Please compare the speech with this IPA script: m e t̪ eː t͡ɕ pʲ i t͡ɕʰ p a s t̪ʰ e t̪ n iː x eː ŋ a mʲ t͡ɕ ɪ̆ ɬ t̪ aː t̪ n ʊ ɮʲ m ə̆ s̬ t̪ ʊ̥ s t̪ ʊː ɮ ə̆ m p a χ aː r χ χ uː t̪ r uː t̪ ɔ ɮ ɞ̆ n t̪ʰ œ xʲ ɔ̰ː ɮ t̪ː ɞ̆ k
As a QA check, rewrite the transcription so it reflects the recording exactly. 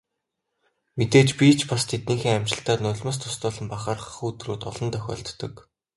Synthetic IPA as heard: m e t̪ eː t͡ɕ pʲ i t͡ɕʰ p a s t̪ʰ e t̪ n iː x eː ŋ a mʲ t͡ɕ ɪ̆ ɬ t̪ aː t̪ n ʊ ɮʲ m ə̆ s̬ t̪ʰ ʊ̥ s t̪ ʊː ɮ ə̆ m p a χ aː r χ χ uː t̪ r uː t̪ ɔ ɮ ɞ̆ n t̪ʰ œ xʲ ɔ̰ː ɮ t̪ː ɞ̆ k